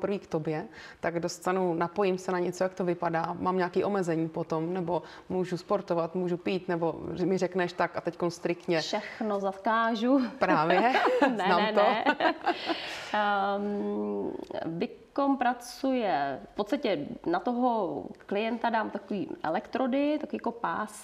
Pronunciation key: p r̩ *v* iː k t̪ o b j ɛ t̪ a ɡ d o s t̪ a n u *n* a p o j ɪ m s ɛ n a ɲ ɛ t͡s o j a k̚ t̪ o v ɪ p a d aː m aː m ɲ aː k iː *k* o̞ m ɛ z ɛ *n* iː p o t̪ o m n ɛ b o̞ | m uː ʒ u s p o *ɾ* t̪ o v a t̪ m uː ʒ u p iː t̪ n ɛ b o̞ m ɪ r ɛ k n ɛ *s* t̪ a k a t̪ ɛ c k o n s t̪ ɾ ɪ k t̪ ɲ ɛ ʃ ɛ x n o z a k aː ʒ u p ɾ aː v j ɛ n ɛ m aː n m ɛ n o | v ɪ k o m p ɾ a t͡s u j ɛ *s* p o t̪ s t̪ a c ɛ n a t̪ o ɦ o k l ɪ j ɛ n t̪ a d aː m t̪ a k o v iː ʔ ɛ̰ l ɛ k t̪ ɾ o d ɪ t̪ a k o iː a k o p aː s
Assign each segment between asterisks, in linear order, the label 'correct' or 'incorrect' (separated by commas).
correct, correct, incorrect, incorrect, correct, incorrect, incorrect